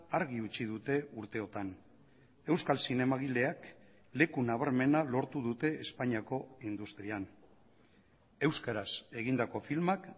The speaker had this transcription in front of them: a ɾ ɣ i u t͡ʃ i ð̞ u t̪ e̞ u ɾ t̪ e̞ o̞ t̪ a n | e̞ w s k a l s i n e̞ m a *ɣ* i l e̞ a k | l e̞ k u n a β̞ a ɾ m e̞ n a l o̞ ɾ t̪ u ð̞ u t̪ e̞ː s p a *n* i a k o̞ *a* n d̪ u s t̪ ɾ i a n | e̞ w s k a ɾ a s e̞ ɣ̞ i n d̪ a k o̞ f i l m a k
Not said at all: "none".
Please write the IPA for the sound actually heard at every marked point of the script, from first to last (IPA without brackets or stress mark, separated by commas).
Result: ɣ, ɲ, i